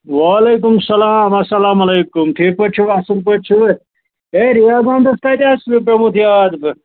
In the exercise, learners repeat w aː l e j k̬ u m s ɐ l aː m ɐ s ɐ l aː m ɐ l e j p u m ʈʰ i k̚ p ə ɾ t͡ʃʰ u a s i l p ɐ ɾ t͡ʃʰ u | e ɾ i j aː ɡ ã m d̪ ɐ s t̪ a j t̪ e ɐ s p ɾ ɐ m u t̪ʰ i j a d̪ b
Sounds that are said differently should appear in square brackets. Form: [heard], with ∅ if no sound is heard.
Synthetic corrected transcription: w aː l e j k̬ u m s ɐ l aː m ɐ s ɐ l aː m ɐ l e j [k] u m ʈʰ i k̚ p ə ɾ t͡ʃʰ u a s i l p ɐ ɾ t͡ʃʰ u | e ɾ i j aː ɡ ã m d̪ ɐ s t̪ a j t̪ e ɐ s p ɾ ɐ m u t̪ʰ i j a d̪ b